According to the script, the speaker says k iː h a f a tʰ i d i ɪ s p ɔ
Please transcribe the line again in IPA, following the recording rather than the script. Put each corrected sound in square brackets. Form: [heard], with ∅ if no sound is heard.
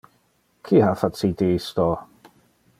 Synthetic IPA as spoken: [kʰ] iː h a f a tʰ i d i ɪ s [t] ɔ